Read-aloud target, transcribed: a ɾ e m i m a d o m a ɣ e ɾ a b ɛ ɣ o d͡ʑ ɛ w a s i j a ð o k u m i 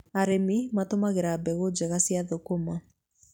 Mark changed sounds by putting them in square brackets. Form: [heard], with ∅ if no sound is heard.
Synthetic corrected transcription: a ɾ e m i m a [t] o m a ɣ e ɾ a b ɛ ɣ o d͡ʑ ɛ [ɣ] a s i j a ð o k [o] m [a]